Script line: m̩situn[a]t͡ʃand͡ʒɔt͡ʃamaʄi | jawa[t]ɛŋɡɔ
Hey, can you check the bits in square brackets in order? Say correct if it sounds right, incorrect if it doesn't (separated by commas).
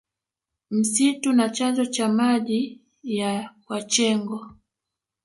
correct, incorrect